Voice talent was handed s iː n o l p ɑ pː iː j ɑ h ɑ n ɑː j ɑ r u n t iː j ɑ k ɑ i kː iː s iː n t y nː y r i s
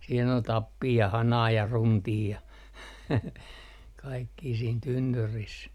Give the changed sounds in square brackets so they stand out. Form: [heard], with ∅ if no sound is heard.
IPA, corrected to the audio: s iː n o l [t] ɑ pː iː j ɑ h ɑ n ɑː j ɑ r u n t iː j ɑ k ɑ i kː iː s iː n t y nː y r i s